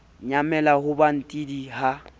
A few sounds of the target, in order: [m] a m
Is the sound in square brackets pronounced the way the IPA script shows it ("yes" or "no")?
no